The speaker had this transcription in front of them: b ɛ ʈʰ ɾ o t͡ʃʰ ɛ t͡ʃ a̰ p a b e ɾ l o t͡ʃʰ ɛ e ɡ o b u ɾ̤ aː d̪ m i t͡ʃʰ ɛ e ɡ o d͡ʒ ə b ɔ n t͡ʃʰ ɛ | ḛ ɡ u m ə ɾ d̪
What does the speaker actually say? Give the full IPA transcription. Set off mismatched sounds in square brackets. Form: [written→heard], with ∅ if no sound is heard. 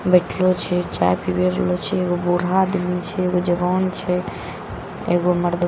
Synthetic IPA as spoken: b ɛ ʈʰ [ɾ→l] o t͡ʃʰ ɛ t͡ʃ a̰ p [a→i] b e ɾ l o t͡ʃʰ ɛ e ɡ o b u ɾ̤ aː d̪ m i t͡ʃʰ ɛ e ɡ o d͡ʒ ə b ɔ n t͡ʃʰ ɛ | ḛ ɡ [u→o] m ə ɾ d̪